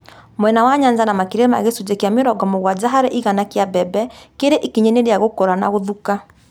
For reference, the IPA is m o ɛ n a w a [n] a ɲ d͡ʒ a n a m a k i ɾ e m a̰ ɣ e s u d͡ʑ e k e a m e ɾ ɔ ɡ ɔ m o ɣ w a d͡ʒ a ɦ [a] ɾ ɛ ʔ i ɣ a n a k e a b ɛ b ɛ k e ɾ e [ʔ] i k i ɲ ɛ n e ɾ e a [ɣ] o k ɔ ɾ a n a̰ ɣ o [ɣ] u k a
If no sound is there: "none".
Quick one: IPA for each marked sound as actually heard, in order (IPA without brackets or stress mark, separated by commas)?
ɲ, a, ʔ, ɣ, ð